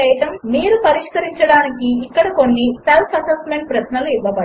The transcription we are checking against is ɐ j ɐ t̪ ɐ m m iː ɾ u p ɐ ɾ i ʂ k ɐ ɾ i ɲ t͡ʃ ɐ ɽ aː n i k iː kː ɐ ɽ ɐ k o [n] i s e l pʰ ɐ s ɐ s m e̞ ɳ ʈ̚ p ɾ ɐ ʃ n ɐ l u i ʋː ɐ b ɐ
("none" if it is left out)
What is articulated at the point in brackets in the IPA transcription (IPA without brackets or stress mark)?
nː